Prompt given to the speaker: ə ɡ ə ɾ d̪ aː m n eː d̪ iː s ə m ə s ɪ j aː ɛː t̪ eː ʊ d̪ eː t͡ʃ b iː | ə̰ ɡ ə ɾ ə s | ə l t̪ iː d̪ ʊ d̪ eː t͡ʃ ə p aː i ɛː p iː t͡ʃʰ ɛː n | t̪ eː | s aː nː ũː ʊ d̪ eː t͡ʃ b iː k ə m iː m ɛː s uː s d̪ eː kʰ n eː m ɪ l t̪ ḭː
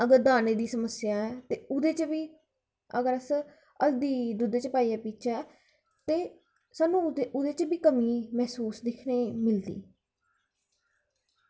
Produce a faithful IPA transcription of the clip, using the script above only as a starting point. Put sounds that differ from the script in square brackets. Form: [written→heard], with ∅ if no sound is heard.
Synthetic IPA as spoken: ə ɡ ə ɾ d̪ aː [m→∅] n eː d̪ iː s ə m ə s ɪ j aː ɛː t̪ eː ʊ d̪ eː t͡ʃ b iː | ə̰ ɡ ə ɾ ə s | ə l [t̪→d̪] iː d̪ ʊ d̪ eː t͡ʃ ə p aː i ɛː p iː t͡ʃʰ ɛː [n→∅] | t̪ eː | s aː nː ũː ʊ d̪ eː t͡ʃ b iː k ə m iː m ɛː s uː s d̪ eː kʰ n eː m ɪ l [t̪→d̪] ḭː